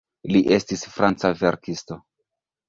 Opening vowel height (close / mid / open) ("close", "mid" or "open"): close